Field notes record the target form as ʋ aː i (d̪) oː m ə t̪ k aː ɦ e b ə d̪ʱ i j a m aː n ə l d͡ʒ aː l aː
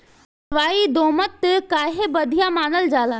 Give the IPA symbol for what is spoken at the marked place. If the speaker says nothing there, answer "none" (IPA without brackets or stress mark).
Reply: d̪